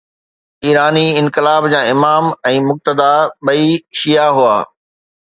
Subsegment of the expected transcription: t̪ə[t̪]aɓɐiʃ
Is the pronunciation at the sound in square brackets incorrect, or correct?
incorrect